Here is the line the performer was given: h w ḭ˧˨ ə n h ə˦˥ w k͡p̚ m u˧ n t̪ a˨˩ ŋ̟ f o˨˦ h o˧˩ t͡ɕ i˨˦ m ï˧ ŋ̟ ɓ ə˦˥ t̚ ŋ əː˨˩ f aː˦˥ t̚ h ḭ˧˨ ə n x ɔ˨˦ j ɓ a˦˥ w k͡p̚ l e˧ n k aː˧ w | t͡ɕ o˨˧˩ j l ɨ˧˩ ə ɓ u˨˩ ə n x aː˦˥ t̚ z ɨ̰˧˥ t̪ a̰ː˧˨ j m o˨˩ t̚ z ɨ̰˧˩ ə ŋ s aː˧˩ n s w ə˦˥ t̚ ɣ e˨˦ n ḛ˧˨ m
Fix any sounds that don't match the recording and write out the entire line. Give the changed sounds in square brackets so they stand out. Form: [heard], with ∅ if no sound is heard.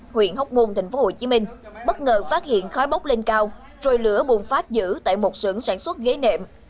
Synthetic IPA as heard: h w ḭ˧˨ ə n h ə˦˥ w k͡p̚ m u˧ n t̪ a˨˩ ŋ̟ f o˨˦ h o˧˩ t͡ɕ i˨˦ m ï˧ ŋ̟ ɓ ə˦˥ t̚ ŋ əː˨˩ f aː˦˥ t̚ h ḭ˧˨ ə n x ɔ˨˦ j ɓ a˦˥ w k͡p̚ l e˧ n k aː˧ w | t͡ɕ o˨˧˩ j l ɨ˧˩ ə ɓ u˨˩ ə n [f] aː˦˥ t̚ z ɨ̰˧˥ t̪ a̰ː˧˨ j m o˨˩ t̚ [s] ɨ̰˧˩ ə ŋ s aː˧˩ n s w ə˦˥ t̚ ɣ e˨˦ n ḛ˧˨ m